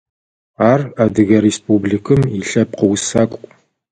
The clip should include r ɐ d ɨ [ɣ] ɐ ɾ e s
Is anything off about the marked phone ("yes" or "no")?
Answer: no